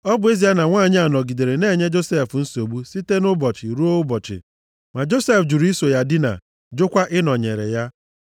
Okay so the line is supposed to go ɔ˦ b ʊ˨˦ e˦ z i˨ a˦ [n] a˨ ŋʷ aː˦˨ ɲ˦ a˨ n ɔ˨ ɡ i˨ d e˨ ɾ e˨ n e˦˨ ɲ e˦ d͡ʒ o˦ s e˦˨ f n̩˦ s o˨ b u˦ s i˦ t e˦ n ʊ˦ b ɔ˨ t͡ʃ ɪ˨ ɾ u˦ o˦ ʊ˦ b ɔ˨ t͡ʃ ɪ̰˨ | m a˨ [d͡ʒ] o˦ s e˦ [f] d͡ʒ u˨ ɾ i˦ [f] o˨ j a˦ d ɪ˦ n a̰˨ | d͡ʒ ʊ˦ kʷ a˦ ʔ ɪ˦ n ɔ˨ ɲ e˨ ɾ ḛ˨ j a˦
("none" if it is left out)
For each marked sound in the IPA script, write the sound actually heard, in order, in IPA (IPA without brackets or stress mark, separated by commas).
n, d͡ʒ, f, s